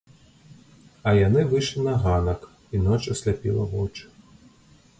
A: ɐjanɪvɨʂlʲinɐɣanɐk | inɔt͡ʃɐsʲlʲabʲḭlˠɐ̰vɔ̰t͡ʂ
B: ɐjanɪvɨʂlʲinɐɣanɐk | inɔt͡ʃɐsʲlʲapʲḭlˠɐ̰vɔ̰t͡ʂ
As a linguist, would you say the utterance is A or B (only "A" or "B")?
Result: B